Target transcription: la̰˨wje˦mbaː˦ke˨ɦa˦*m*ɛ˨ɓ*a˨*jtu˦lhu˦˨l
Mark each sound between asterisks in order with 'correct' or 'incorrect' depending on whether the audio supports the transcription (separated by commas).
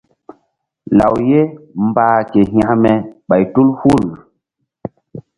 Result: correct, correct